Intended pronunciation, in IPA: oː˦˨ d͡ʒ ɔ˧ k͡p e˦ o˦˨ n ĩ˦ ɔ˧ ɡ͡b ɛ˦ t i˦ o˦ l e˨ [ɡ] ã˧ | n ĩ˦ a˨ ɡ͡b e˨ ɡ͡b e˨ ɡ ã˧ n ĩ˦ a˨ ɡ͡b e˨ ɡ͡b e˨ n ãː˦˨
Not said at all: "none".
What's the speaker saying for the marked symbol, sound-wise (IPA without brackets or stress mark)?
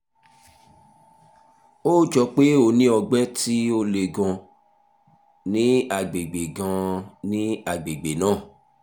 ɡ